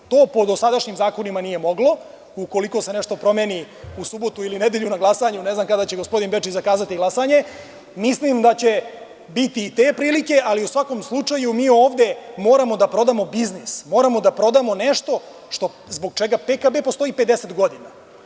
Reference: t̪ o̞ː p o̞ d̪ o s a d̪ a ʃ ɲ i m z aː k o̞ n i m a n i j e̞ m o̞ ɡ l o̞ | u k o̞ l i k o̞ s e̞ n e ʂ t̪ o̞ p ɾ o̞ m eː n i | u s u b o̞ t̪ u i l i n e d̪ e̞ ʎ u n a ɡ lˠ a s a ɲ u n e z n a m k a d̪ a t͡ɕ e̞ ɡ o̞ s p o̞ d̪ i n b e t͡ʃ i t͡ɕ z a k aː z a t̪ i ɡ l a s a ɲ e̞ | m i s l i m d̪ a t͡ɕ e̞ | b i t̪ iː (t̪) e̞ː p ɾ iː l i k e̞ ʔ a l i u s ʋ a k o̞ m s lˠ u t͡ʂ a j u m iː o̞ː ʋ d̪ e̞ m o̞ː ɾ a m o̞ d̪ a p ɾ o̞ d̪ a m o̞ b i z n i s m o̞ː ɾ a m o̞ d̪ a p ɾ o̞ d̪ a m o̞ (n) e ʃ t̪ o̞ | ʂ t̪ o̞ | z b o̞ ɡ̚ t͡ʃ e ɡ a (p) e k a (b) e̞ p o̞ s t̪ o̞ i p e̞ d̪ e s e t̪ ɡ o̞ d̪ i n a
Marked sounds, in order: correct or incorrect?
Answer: correct, correct, correct, correct

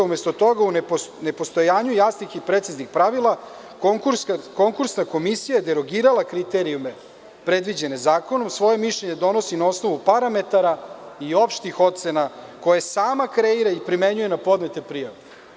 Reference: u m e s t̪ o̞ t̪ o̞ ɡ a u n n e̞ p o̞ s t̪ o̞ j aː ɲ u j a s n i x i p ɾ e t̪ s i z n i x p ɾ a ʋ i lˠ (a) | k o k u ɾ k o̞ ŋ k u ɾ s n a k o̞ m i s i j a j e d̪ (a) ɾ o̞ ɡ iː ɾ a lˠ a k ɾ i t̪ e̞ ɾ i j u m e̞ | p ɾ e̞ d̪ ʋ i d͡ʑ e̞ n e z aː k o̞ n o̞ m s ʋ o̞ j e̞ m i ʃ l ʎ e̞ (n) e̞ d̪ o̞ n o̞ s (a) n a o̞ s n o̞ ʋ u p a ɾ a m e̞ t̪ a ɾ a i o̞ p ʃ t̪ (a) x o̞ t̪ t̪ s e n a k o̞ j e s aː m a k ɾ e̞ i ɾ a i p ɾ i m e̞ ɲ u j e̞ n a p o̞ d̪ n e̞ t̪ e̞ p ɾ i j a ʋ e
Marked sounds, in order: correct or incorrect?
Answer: correct, incorrect: e, incorrect: ɲ, incorrect: i, incorrect: i

